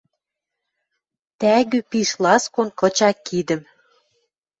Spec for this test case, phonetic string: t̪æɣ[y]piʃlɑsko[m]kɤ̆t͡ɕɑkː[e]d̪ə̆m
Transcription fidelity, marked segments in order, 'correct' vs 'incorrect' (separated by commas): correct, incorrect, incorrect